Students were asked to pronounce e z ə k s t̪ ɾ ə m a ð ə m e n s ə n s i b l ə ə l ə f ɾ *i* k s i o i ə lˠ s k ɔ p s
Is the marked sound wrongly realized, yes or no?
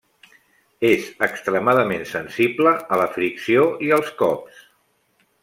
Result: no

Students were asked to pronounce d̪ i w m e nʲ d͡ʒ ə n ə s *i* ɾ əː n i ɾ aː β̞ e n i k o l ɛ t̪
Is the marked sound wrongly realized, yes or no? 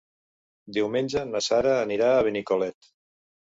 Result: yes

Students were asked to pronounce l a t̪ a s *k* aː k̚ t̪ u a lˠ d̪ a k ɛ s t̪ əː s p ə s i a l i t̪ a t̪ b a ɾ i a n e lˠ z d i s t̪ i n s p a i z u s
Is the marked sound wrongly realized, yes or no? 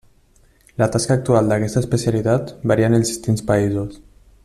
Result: no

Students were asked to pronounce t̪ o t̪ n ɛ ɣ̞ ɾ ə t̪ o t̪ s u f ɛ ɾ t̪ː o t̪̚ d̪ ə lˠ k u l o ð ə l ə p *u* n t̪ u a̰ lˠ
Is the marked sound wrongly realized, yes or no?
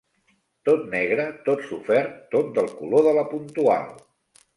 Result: no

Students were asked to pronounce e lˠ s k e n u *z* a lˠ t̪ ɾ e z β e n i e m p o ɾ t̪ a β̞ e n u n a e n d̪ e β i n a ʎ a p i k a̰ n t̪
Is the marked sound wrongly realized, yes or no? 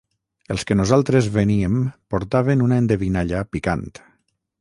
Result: no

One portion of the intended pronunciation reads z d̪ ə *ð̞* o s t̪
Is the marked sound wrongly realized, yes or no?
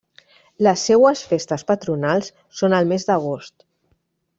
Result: yes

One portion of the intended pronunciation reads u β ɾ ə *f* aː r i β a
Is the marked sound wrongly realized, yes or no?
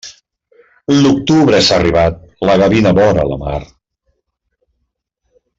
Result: yes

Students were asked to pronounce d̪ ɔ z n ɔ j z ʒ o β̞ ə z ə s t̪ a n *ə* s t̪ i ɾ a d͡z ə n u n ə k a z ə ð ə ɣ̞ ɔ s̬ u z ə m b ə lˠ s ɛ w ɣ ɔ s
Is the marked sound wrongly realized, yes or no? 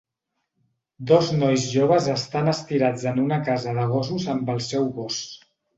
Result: no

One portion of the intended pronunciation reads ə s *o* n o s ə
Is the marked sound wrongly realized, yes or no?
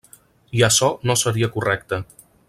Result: yes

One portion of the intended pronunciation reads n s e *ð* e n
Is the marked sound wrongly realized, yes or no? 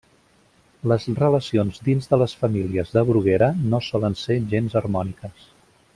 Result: yes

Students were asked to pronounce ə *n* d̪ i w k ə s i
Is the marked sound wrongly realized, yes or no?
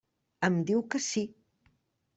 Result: yes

